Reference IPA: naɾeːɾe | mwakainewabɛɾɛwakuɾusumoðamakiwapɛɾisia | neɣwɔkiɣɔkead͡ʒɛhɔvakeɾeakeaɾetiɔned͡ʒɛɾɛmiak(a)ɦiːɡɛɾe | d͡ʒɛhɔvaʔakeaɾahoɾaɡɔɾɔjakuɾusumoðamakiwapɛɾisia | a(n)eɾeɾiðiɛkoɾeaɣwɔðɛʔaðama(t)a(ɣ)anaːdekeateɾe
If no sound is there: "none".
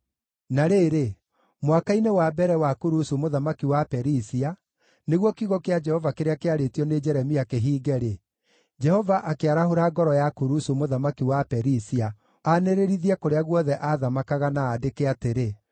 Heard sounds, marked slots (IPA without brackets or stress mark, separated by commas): e, n, k, ɣ